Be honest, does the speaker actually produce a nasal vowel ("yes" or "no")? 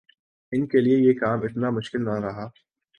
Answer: no